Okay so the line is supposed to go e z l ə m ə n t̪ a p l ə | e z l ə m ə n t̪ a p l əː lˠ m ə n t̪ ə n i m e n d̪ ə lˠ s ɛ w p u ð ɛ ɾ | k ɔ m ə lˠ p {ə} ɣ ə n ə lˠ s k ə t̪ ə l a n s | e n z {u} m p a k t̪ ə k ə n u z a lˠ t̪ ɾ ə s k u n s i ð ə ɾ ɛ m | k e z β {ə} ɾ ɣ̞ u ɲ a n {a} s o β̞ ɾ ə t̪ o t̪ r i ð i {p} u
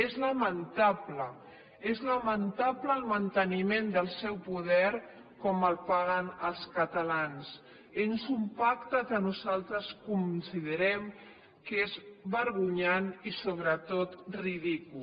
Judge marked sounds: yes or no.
no, yes, yes, no, no

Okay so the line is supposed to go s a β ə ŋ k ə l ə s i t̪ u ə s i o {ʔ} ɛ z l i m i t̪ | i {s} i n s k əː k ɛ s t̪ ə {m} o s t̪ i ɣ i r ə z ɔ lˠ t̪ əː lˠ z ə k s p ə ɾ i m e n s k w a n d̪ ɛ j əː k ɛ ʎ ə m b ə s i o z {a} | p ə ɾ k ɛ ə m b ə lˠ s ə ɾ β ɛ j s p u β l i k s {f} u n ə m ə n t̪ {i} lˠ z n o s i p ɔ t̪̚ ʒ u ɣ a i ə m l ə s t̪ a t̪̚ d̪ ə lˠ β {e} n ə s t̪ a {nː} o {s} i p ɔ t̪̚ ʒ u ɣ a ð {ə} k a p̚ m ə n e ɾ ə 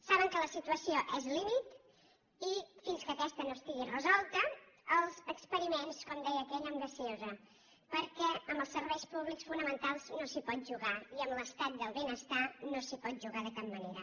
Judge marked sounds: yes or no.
yes, no, no, no, yes, no, yes, no, yes, yes

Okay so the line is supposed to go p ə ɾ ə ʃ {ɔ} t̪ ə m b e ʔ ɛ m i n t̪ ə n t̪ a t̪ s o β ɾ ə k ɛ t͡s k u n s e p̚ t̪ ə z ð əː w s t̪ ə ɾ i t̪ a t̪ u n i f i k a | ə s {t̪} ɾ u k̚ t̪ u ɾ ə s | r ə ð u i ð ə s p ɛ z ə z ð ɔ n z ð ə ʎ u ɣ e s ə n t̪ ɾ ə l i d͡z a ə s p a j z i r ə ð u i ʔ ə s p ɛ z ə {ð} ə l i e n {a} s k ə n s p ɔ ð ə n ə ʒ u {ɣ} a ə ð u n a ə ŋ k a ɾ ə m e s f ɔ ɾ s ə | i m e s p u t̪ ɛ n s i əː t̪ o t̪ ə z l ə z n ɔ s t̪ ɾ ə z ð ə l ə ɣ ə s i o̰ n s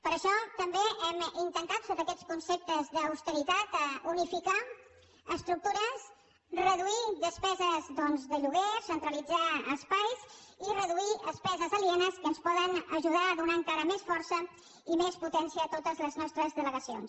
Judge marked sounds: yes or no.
yes, yes, no, no, no

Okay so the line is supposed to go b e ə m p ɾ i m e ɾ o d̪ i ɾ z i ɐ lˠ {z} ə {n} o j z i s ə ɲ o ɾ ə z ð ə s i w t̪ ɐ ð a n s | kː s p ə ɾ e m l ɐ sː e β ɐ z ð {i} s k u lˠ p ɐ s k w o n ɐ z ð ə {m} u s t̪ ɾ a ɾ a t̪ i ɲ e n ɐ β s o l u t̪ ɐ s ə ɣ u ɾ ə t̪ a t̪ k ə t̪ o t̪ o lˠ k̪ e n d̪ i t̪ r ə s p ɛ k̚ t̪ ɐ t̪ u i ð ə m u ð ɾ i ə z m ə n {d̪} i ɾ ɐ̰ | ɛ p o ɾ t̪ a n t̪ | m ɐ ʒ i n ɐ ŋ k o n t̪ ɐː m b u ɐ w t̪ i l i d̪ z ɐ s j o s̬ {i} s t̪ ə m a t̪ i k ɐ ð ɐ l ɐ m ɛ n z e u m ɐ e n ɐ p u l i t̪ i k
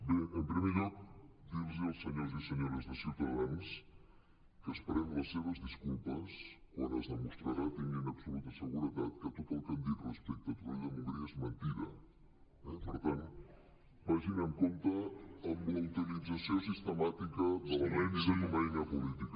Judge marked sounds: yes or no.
no, no, yes, yes, no, yes

